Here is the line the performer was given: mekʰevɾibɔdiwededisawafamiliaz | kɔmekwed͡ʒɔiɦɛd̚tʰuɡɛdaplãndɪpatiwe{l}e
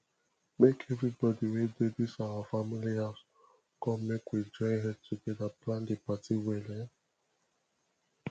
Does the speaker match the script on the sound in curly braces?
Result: yes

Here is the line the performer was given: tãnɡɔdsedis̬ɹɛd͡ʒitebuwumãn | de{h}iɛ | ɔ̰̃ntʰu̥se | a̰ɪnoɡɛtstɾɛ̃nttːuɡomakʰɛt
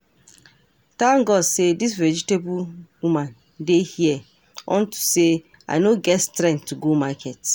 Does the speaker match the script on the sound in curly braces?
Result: yes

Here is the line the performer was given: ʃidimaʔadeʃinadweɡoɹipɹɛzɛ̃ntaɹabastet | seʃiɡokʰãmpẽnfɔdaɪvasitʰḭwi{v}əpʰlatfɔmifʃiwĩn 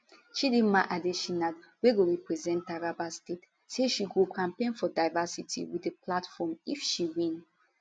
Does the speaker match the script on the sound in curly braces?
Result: no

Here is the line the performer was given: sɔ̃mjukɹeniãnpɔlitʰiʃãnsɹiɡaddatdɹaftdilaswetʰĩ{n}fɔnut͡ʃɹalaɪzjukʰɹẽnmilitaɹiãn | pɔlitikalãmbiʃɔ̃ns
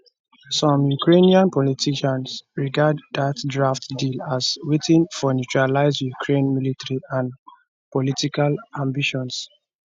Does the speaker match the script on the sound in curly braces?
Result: yes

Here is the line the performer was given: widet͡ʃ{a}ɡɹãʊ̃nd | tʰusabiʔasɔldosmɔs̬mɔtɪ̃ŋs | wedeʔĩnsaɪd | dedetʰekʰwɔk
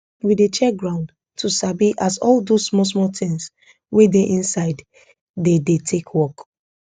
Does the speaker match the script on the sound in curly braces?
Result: no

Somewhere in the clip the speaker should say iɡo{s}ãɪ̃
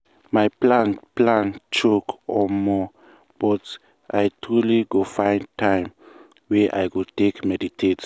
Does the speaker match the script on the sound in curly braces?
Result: no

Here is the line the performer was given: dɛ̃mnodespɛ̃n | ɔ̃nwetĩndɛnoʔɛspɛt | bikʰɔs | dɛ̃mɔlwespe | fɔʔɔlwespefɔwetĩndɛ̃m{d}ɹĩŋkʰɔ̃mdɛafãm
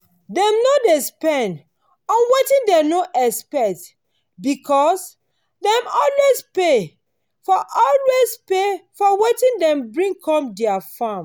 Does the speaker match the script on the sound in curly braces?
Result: no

